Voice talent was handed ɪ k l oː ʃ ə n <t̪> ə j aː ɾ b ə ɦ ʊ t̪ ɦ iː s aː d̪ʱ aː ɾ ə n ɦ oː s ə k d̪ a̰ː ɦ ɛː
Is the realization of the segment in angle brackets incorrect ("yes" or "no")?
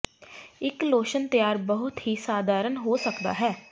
no